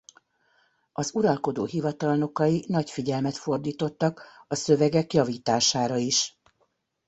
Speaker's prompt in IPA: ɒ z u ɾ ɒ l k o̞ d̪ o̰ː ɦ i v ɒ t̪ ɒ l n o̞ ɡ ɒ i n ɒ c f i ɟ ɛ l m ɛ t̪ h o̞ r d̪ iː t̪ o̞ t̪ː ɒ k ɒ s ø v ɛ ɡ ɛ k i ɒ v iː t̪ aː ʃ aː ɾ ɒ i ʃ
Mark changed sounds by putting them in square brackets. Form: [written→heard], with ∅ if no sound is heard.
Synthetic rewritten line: ɒ z u ɾ ɒ l k o̞ d̪ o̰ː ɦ i v ɒ t̪ ɒ l n o̞ [ɡ→k] ɒ i n ɒ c f i ɟ ɛ l m ɛ t̪ [h→f] o̞ r d̪ iː t̪ o̞ t̪ː ɒ k ɒ s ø v ɛ ɡ ɛ k [i→j] ɒ v iː t̪ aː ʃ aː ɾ ɒ i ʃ

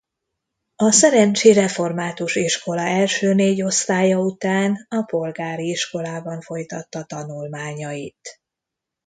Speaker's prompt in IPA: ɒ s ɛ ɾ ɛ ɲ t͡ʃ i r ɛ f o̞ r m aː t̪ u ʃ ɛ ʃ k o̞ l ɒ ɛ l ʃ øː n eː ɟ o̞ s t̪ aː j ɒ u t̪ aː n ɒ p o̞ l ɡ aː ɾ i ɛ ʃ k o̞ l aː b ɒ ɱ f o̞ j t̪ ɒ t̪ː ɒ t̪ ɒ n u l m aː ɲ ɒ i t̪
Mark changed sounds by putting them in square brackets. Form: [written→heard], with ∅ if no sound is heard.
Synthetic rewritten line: ɒ s ɛ ɾ ɛ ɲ t͡ʃ i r ɛ f o̞ r m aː t̪ u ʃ [ɛ→i] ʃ k o̞ l ɒ ɛ l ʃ øː n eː ɟ o̞ s t̪ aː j ɒ u t̪ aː n ɒ p o̞ l ɡ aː ɾ i [ɛ→i] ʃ k o̞ l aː b ɒ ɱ f o̞ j t̪ ɒ t̪ː ɒ t̪ ɒ n u l m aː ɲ ɒ i t̪

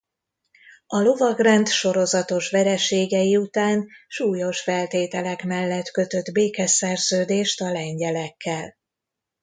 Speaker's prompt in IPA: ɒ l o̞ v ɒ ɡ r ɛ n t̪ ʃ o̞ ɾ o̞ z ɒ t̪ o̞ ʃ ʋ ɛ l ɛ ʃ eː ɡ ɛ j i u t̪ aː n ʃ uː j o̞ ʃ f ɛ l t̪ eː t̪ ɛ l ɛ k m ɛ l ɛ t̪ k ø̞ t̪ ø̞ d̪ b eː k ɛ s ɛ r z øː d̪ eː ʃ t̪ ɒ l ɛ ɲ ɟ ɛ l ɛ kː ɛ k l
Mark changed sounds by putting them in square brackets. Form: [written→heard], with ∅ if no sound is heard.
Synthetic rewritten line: ɒ l o̞ v ɒ ɡ r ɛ n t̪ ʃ o̞ ɾ o̞ z ɒ t̪ o̞ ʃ ʋ ɛ [l→ɾ] ɛ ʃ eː ɡ ɛ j i u t̪ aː n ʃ uː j o̞ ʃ f ɛ l t̪ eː t̪ ɛ l ɛ k m ɛ [l→lː] ɛ t̪ k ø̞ t̪ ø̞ d̪ b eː k ɛ s ɛ r z øː d̪ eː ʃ t̪ ɒ l ɛ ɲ ɟ ɛ l ɛ kː ɛ [k→∅] l

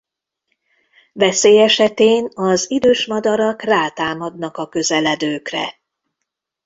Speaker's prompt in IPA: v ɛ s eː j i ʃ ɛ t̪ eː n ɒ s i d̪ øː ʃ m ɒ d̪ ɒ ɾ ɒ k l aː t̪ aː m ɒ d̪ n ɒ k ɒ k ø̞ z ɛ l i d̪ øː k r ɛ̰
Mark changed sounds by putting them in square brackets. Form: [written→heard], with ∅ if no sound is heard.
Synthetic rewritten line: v ɛ s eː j [i→ɛ] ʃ ɛ t̪ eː n ɒ [s→z] i d̪ øː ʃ m ɒ d̪ ɒ ɾ ɒ k [l→r] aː t̪ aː m ɒ d̪ n ɒ k ɒ k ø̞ z ɛ l [i→ɛ] d̪ øː k r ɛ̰

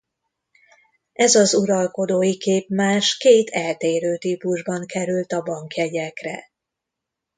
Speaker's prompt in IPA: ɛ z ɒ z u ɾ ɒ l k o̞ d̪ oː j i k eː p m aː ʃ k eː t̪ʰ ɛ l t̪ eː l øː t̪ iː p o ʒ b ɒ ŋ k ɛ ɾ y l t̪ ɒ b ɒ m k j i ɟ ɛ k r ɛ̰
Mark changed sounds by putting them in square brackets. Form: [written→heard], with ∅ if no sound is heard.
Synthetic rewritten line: ɛ z ɒ z u ɾ ɒ l k o̞ d̪ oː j i k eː p m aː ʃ k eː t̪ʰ ɛ l t̪ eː [l→ɾ] øː t̪ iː p [o→u] ʒ b ɒ ŋ k ɛ ɾ y l t̪ ɒ b ɒ [m→ŋ] k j [i→ɛ] ɟ ɛ k r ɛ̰

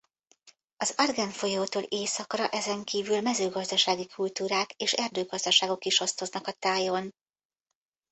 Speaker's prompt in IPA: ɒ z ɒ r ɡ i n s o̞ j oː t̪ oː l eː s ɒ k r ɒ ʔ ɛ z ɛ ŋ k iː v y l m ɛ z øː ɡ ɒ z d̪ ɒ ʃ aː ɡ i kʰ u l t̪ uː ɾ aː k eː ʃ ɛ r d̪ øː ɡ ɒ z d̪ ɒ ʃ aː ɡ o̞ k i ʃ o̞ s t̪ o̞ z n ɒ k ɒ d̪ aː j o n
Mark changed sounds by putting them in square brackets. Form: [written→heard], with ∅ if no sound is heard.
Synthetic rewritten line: ɒ z ɒ r ɡ [i→ɛ] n [s→f] o̞ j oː t̪ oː l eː s ɒ k r ɒ ʔ ɛ z ɛ ŋ k iː v y l m ɛ z øː ɡ ɒ z d̪ ɒ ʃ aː ɡ i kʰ u l t̪ uː ɾ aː k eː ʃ ɛ r d̪ øː ɡ ɒ z d̪ ɒ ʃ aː ɡ o̞ k i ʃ o̞ s t̪ o̞ z n ɒ k ɒ [d̪→t̪] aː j o n

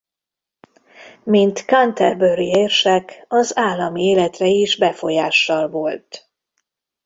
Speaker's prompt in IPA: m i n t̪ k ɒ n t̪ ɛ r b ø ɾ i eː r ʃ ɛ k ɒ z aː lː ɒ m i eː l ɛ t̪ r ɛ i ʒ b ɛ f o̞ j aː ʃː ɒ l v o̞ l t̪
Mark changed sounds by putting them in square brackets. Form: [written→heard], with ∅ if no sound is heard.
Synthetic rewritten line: m i n t̪ k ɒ n t̪ ɛ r b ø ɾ i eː r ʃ ɛ k ɒ z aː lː ɒ m i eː l ɛ t̪ r ɛ i ʒ b ɛ f o̞ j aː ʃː ɒ l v o̞ l t̪

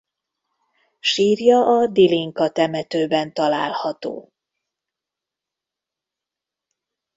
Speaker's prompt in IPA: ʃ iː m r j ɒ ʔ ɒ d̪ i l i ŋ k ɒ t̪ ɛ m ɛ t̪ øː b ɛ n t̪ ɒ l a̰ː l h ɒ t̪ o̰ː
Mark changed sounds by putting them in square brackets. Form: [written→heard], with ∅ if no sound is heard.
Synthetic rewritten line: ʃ iː [m→∅] r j ɒ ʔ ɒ d̪ i l i ŋ k ɒ t̪ ɛ m ɛ t̪ øː b ɛ n t̪ ɒ l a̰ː l h ɒ t̪ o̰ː

